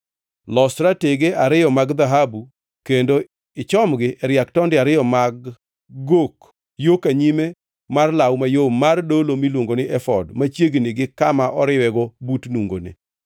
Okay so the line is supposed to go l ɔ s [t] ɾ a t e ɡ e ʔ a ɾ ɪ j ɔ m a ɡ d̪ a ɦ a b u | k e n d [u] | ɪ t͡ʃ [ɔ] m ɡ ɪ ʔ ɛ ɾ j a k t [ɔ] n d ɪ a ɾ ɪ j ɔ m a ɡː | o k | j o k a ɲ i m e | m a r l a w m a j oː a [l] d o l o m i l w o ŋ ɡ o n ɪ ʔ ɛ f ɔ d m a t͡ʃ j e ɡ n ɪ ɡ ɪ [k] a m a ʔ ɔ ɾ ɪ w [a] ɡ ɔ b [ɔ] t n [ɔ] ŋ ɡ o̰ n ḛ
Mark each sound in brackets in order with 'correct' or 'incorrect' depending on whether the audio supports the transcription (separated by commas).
correct, incorrect, correct, correct, incorrect, correct, incorrect, incorrect, incorrect